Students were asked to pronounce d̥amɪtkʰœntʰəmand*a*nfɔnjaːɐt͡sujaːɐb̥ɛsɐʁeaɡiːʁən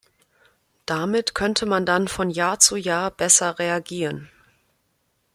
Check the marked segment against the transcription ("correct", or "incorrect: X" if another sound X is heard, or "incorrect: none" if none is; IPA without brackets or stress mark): correct